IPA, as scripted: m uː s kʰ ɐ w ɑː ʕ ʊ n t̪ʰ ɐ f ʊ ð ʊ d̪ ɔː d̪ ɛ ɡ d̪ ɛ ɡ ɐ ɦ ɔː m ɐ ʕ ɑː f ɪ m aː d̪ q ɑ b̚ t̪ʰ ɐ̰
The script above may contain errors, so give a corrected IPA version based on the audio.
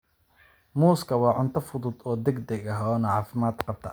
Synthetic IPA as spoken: m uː s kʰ ɐ w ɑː ʕ ʊ n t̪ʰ ɐ f ʊ ð ʊ d̪ ɔː d̪ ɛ ɡ d̪ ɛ ɡ ɐ ɦ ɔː n ɐ ʕ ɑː f ɪ m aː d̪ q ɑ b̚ t̪ʰ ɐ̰